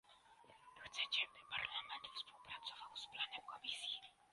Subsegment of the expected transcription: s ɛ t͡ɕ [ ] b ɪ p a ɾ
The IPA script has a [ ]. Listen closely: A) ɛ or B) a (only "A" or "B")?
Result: A